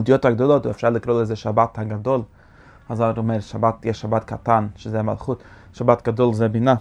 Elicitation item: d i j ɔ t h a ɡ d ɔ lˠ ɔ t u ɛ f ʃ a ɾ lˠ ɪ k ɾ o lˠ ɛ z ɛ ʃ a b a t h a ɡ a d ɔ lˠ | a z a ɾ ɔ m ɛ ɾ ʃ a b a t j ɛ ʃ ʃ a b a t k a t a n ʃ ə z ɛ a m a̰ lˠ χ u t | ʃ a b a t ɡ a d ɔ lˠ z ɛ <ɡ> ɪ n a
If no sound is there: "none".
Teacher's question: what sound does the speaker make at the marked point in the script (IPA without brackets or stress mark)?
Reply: b